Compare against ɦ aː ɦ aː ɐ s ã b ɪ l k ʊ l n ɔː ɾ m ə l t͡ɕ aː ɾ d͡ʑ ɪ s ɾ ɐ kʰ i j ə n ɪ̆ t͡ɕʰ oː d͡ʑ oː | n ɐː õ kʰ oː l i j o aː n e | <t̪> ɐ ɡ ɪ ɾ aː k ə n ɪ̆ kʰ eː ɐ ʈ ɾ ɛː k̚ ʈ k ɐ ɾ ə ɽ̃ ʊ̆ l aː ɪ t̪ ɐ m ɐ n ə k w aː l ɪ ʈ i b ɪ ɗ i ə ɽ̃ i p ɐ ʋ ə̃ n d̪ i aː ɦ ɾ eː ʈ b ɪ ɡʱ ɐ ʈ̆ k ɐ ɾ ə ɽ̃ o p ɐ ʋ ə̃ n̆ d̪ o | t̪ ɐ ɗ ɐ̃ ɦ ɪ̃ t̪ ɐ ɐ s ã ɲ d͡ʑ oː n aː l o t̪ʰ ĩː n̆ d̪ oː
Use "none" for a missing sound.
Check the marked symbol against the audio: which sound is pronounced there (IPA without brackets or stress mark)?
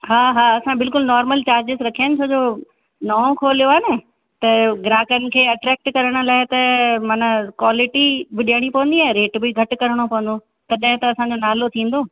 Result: t̪